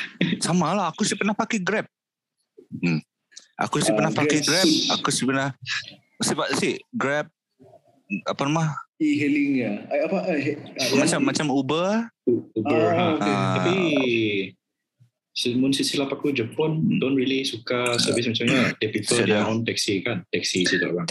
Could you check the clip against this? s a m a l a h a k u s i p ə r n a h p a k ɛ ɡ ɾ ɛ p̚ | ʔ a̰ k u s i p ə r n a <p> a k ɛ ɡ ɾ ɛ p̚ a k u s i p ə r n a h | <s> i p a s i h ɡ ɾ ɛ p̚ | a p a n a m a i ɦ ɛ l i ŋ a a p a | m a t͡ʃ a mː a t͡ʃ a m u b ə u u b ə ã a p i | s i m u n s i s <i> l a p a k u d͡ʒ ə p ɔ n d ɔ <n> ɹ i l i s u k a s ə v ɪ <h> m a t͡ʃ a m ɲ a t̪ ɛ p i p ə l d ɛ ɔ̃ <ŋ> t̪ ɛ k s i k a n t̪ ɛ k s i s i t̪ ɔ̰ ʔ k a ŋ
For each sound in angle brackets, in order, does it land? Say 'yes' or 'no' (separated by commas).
yes, yes, yes, yes, no, no